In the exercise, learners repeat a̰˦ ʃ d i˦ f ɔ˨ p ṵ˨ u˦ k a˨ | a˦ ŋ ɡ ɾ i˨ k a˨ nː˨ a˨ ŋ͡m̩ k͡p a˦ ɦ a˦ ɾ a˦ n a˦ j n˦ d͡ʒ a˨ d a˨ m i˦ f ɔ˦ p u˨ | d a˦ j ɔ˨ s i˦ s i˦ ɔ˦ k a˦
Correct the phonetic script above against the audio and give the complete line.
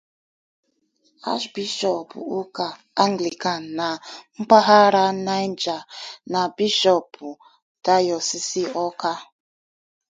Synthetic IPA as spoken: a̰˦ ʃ b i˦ ʃ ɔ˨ p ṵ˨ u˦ k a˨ | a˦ ŋ ɡ l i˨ k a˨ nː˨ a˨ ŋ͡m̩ k͡p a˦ ɦ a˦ ɾ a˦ n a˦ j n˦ d͡ʒ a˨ n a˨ b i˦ ʃ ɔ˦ p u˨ | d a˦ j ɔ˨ s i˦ s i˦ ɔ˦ k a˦